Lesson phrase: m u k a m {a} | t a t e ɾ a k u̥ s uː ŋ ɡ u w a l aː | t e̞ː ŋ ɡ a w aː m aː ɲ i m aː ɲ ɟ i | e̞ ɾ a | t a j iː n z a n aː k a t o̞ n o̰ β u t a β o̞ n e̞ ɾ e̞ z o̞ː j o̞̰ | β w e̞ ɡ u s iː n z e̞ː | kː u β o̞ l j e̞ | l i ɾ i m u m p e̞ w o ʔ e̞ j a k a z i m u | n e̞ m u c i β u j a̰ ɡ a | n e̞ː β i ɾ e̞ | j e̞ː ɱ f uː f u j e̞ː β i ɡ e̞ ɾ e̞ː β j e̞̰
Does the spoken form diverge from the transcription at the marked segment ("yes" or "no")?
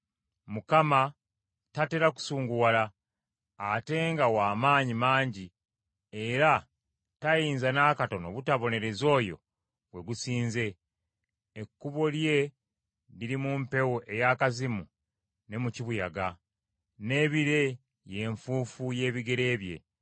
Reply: no